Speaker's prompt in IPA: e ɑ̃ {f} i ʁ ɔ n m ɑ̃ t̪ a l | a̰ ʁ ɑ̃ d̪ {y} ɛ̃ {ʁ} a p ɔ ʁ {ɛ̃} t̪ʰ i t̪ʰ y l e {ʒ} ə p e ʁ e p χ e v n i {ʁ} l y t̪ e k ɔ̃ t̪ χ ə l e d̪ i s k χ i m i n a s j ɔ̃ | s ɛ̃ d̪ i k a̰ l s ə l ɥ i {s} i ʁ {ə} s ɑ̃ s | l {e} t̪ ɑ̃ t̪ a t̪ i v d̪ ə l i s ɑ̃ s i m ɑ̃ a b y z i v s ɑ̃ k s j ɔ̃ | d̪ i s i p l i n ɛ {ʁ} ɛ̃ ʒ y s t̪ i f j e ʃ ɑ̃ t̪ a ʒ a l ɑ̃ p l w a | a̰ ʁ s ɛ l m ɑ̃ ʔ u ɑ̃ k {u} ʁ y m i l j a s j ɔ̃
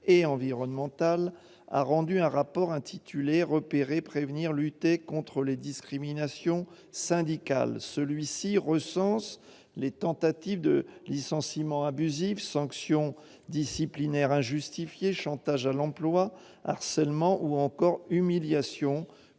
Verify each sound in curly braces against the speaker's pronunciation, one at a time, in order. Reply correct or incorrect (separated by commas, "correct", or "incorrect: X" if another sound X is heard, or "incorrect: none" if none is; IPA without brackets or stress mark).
incorrect: v, correct, correct, correct, incorrect: ʁ, correct, correct, correct, correct, correct, incorrect: ɔ